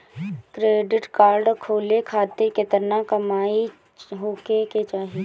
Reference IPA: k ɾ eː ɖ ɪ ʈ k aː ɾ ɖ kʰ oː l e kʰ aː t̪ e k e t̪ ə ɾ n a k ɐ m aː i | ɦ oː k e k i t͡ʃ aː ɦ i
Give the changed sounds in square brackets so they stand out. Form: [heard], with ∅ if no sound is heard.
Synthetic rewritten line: k ɾ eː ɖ ɪ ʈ k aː ɾ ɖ kʰ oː l e kʰ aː t̪ e k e t̪ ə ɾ n a k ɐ m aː i | ɦ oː k e k [e] t͡ʃ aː ɦ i